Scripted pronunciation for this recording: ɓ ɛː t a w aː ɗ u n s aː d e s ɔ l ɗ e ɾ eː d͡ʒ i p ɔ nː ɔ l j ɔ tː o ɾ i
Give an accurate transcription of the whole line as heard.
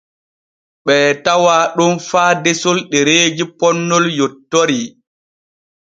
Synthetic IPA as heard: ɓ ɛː t a w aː ɗ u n f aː d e s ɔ l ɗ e ɾ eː d͡ʒ i p ɔ nː ɔ l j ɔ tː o ɾ i